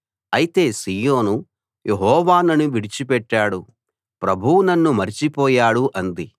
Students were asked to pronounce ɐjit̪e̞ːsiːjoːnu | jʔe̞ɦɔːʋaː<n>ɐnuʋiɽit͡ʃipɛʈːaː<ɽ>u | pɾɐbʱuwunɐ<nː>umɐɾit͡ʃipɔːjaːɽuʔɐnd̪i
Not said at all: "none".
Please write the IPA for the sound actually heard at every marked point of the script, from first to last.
n, ɽ, nː

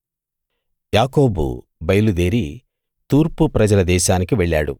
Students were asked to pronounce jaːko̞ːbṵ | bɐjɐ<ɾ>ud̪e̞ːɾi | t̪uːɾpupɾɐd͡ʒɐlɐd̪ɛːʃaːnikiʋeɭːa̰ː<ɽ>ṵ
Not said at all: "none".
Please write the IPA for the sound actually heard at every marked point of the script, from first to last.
l, ɽ

